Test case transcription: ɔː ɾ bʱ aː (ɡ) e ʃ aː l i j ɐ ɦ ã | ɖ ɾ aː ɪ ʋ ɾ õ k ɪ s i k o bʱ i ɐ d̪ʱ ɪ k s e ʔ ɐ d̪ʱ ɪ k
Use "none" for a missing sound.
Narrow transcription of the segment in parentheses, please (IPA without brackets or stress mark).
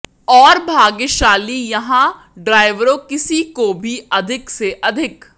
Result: ɡ